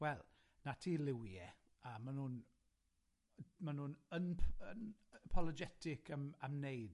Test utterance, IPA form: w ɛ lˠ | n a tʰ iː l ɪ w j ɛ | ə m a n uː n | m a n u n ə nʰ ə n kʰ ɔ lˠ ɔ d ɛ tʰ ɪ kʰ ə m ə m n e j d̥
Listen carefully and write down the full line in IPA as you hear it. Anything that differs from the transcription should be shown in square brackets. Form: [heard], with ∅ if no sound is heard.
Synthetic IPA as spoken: w ɛ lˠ | n a tʰ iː l ɪ w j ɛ | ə m a n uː n | m a n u n ə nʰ ə n [pʰ] ɔ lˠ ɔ [d͡ʒ] ɛ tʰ ɪ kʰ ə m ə m n e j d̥